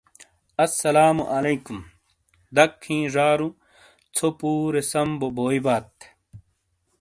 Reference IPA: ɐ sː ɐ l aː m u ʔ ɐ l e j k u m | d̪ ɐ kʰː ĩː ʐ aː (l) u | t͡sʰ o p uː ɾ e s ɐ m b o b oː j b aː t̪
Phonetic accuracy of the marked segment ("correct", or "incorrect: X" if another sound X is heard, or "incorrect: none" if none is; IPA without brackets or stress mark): incorrect: ɾ